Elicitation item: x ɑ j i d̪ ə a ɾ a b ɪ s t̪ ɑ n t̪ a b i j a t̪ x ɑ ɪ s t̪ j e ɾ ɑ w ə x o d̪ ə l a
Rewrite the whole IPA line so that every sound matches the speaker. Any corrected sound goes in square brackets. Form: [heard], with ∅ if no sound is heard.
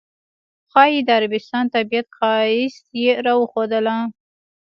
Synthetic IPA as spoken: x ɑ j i d̪ ə a ɾ a b ɪ s t̪ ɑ n t̪ a b i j a t̪ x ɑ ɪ s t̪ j e ɾ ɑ w ə x o d̪ ə l a